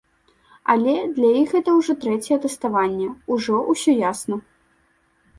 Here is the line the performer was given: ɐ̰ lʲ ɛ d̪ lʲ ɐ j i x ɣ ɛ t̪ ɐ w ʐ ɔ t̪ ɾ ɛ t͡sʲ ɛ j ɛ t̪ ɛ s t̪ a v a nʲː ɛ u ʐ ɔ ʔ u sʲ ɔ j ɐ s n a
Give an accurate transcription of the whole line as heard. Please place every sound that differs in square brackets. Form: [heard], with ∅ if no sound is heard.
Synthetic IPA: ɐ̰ lʲ ɛ d̪ lʲ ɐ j i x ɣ ɛ t̪ ɐ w ʐ ɔ t̪ ɾ ɛ t͡sʲ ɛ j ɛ t̪ ɛ s t̪ a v a nʲː ɛ u ʐ ɔ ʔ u sʲ ɔ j [a] s n [ɐ]